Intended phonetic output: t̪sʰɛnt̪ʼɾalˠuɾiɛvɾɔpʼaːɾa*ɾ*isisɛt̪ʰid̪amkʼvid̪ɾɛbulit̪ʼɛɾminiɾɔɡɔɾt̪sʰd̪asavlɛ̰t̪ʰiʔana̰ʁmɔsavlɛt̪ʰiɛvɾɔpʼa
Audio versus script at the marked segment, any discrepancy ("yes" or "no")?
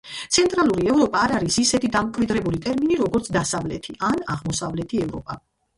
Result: no